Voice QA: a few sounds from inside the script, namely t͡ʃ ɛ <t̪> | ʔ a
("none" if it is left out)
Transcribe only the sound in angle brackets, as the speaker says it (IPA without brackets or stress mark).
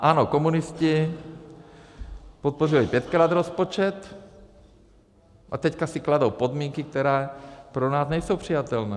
t̪